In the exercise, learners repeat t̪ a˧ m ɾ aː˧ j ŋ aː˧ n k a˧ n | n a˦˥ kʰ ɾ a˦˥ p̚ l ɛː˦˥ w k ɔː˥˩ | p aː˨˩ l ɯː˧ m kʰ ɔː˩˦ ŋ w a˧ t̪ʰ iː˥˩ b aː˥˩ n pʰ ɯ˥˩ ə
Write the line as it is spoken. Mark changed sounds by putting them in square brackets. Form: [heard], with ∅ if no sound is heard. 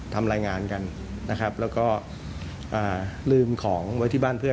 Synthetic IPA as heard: [t̪ʰ] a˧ m ɾ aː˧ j ŋ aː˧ n k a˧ n | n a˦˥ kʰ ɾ a˦˥ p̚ l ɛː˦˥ w k ɔː˥˩ | [ʔ] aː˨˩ l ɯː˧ m kʰ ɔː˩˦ ŋ w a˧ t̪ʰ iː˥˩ b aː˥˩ n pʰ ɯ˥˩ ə